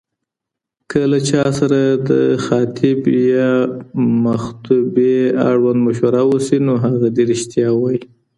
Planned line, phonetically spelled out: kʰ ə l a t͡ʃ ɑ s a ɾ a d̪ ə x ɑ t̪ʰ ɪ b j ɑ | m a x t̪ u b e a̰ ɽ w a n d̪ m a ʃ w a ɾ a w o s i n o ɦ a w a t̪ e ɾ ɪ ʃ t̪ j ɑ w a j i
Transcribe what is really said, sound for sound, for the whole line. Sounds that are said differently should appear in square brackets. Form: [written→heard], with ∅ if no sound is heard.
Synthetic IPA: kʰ ə l a t͡ʃ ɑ s a ɾ a d̪ ə x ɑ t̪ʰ ɪ b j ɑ | m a x t̪ u b e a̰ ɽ w a n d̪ m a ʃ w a ɾ a w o s i n o ɦ a [w→ɣ] a [t̪→d̪] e ɾ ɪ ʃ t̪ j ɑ w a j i